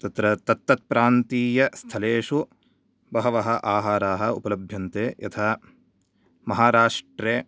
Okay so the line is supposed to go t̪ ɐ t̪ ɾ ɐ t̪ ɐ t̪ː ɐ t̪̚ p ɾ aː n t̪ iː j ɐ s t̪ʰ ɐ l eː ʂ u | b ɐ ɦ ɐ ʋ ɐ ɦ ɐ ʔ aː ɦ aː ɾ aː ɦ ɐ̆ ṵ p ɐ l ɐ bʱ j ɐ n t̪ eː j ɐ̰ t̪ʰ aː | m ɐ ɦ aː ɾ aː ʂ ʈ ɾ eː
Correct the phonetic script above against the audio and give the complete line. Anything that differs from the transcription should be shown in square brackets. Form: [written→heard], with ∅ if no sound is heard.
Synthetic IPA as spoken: t̪ ɐ t̪ ɾ ɐ t̪ ɐ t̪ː ɐ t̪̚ p ɾ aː n t̪ iː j ɐ s t̪ʰ ɐ l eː ʂ u | b ɐ ɦ ɐ ʋ ɐ ɦ ɐ ʔ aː ɦ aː ɾ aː ɦ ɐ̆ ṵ p ɐ l ɐ bʱ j ɐ n t̪ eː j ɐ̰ t̪ʰ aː | m ɐ ɦ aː ɾ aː ʂ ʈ ɾ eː